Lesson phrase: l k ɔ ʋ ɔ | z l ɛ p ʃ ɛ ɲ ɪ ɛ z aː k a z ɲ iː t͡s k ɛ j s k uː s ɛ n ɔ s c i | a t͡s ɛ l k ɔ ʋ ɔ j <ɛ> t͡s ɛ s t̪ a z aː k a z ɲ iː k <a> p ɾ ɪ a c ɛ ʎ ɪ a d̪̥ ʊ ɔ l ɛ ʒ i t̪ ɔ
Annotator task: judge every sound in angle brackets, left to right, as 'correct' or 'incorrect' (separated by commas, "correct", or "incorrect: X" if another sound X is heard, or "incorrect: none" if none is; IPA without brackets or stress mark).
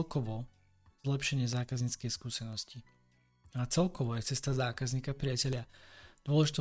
correct, correct